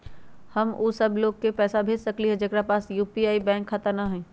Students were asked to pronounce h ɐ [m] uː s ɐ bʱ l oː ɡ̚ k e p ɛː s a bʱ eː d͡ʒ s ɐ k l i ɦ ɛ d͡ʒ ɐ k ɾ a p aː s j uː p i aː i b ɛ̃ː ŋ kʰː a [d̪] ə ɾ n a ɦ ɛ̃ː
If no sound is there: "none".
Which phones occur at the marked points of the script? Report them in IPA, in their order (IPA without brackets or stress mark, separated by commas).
m, t̪